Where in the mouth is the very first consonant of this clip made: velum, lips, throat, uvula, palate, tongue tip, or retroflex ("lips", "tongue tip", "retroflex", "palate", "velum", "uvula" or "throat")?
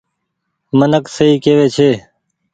lips